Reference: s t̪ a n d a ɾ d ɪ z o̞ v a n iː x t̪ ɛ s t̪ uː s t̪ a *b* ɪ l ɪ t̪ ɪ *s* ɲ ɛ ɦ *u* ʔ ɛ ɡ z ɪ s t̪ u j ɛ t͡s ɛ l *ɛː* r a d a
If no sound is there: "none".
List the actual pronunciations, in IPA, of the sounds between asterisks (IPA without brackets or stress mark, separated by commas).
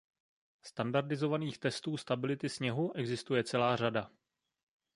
b, s, u, aː